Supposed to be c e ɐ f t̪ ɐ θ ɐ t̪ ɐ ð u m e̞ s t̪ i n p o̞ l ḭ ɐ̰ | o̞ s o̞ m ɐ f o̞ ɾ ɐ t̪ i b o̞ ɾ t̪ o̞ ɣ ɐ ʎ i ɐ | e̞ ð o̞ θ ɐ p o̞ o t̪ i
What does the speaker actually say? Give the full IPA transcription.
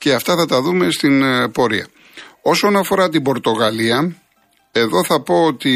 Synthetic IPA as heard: c e ɐ f t̪ ɐ θ ɐ t̪ ɐ ð u m e̞ s t̪ i n p o̞ ɾ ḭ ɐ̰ | o̞ s o̞ n ɐ f o̞ ɾ ɐ t̪ i b o̞ ɾ t̪ o̞ ɣ ɐ l i ɐ | e̞ ð o̞ θ ɐ p o̞ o t̪ i